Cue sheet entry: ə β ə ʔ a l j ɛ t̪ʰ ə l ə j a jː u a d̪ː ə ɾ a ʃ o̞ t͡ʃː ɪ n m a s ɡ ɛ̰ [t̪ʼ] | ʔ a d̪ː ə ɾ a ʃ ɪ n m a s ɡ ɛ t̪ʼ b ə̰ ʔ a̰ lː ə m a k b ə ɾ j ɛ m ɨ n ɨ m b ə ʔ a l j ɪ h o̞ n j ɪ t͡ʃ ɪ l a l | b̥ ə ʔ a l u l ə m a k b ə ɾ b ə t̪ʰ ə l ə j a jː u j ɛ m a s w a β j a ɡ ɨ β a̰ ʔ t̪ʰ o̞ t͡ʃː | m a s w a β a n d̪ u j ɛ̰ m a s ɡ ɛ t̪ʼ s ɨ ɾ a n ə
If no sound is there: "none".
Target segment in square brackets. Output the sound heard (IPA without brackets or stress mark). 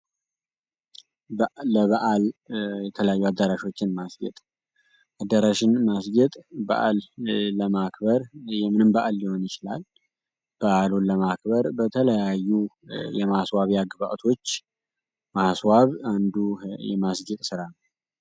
t̪ʼ